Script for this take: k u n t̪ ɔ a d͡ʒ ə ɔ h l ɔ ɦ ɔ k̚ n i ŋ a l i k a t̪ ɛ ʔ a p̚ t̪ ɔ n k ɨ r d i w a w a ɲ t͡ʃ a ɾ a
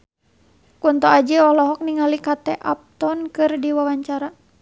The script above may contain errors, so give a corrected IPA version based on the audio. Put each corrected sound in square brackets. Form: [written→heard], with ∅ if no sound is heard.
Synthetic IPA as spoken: k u n t̪ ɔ a d͡ʒ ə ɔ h l ɔ ɦ ɔ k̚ n i ŋ a l i k a t̪ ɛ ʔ a p̚ t̪ ɔ n k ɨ r d i w a w a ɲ t͡ʃ a ɾ a